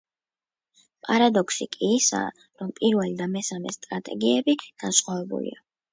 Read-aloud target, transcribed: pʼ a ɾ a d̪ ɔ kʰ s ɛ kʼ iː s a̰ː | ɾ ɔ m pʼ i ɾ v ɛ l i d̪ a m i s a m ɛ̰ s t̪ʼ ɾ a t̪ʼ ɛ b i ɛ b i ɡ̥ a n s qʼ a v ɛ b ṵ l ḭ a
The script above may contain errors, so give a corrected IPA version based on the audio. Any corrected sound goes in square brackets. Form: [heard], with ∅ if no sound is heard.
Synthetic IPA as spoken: pʼ a ɾ a d̪ ɔ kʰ s [i] kʼ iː s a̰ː | ɾ ɔ m pʼ i ɾ v ɛ l i d̪ a m [ɛ] s a m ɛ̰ s t̪ʼ ɾ a t̪ʼ ɛ [ɡ] i ɛ b i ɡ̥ a n s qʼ a v ɛ b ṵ l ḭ a